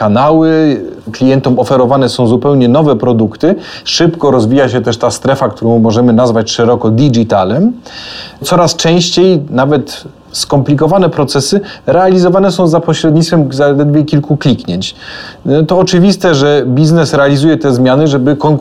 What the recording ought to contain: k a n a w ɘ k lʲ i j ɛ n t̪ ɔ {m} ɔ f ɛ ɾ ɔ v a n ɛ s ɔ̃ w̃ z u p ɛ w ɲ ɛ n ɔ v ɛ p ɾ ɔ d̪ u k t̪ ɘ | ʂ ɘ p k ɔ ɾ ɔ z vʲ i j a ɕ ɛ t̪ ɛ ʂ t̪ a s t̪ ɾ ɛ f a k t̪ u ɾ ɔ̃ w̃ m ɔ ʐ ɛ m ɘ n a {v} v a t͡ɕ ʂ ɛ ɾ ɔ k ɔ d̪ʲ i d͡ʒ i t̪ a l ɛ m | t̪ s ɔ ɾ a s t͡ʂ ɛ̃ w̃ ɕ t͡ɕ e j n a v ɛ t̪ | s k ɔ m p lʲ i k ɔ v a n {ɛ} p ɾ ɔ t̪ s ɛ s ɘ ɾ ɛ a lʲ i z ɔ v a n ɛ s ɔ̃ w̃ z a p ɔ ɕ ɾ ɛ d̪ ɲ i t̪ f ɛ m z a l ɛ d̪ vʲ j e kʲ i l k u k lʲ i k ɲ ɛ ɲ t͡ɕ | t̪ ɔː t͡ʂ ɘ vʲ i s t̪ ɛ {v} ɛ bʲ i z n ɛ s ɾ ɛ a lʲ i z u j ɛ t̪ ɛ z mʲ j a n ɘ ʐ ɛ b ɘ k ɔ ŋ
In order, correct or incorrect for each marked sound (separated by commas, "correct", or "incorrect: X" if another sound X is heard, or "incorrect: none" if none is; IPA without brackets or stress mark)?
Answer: correct, incorrect: z, correct, incorrect: ʐ